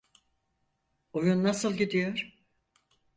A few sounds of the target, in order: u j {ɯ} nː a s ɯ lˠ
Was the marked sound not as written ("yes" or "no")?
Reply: yes